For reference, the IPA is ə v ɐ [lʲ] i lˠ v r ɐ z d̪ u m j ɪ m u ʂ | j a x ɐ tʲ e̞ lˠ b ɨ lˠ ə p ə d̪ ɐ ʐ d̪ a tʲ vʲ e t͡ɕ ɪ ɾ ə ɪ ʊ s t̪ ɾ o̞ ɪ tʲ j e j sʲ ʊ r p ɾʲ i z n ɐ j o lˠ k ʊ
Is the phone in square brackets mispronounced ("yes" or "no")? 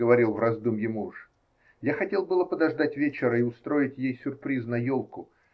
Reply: yes